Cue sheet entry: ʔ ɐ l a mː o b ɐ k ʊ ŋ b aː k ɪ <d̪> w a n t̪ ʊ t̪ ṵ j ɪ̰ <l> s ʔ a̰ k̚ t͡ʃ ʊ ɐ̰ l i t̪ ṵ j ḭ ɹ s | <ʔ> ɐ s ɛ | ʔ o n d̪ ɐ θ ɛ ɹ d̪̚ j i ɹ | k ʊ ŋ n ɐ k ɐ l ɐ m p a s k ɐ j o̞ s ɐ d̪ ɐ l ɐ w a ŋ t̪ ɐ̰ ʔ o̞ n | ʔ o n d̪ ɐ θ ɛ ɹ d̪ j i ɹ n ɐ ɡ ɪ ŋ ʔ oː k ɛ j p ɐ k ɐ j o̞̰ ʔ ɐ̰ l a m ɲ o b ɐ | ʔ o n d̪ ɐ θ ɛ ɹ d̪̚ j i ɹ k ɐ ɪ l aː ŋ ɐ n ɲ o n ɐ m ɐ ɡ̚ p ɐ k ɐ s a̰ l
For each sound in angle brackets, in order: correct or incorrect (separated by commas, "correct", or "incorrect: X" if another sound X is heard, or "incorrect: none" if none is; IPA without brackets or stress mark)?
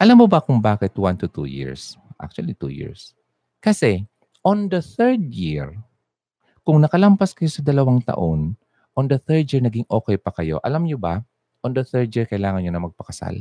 incorrect: t̪, incorrect: ɹ, incorrect: k